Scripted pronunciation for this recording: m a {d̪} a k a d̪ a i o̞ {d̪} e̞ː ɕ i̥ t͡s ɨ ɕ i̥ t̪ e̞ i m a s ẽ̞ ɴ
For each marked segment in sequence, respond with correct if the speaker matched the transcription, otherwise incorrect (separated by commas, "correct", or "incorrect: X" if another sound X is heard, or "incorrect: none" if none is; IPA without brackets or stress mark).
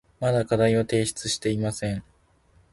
correct, incorrect: t̪